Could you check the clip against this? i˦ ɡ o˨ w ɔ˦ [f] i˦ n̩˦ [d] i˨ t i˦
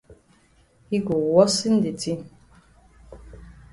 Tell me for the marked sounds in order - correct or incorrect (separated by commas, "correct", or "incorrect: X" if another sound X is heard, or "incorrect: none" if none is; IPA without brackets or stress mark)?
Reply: incorrect: s, correct